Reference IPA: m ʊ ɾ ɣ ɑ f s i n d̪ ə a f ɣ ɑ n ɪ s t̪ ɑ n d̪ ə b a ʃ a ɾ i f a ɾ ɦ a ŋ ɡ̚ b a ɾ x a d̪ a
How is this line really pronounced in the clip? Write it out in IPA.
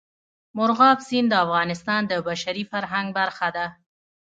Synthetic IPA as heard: m ʊ ɾ ɣ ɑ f s i n d̪ ə a f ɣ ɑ n ɪ s t̪ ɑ n d̪ ə b a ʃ a ɾ i f a ɾ ɦ a ŋ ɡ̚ b a ɾ x a d̪ a